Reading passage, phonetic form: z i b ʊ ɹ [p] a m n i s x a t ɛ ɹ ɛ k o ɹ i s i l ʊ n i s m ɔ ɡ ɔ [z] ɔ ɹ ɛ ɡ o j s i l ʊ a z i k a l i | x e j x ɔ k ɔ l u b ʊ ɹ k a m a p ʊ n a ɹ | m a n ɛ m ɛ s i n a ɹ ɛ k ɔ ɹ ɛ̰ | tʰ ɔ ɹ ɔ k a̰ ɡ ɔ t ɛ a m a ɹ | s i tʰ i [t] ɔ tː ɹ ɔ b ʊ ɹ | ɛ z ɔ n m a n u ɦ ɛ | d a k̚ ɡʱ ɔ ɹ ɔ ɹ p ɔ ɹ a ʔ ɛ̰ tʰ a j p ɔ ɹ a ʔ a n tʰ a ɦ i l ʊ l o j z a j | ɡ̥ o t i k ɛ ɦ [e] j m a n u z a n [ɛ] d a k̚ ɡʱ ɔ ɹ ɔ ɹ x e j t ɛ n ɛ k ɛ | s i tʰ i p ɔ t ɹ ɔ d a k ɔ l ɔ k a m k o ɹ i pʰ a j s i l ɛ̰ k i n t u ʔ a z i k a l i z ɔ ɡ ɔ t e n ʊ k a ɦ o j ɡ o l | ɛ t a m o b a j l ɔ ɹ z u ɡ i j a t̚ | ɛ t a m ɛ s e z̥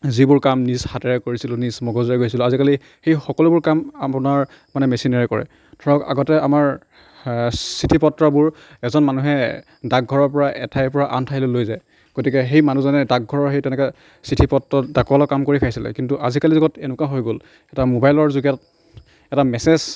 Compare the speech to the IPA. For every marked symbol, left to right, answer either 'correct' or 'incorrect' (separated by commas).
incorrect, correct, incorrect, correct, correct